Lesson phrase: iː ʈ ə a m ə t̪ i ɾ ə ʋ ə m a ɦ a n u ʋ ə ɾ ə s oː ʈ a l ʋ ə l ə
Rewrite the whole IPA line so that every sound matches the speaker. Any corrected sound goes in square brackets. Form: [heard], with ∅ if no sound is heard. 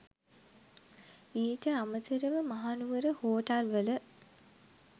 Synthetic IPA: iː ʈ ə a m ə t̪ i ɾ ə ʋ ə m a ɦ a n u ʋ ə ɾ ə [h] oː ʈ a l ʋ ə l ə